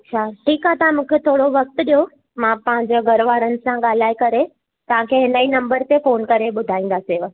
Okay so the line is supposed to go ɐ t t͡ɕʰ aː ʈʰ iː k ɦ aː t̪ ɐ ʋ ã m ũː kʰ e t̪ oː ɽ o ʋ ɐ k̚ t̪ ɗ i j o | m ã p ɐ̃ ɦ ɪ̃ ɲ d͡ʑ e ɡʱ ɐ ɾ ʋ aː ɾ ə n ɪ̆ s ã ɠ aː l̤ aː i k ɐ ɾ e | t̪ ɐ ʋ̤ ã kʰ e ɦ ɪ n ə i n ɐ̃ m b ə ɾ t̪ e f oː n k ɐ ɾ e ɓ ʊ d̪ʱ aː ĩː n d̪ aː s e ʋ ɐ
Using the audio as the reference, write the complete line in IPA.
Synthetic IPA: ɐ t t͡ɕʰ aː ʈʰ iː k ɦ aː t̪ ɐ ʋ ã m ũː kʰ e t̪ʰ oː ɽ o ʋ ɐ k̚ t̪ ɗ i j o | m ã p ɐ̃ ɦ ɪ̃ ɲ d͡ʑ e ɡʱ ɐ ɾ ʋ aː ɾ ə n ɪ̆ s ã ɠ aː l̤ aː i k ɐ ɾ e | t̪ ɐ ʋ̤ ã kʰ e ɦ ɪ n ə i n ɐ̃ m b ə ɾ t̪ e f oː n k ɐ ɾ e ɓ ʊ d̪ʱ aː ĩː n d̪ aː s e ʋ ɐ

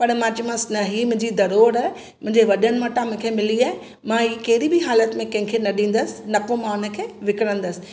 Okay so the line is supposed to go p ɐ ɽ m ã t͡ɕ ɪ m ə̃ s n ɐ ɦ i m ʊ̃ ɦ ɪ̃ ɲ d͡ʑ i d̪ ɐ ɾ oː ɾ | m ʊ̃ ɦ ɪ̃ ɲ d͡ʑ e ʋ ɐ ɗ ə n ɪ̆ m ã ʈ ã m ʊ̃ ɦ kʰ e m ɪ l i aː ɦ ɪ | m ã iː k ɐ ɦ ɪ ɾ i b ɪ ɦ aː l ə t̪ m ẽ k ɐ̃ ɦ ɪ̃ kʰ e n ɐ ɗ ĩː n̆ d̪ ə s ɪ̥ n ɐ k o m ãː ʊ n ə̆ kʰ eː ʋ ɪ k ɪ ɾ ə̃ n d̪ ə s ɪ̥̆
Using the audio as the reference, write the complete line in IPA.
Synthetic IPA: p ɐ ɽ m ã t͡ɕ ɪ m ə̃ s n ɐ ɦ i m ʊ̃ ɦ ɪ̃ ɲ d͡ʑ i d̪ ɐ ɾ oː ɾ | m ʊ̃ ɦ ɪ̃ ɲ d͡ʑ e ʋ ɐ ɗ ə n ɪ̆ m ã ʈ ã m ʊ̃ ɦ kʰ e m ɪ l i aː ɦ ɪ | m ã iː k ɐ ɦ ɪ ɾ i b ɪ ɦ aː l ə t̪ m ẽ k ɐ̃ ɦ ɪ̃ kʰ e n ɐ ɗ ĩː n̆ d̪ ə s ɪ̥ n ɐ k o m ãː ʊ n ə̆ kʰ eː ʋ ɪ k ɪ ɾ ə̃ n d̪ ə s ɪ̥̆

